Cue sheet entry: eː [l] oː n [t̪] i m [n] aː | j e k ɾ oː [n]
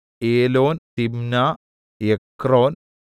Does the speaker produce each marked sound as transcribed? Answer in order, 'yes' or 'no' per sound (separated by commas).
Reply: yes, yes, yes, yes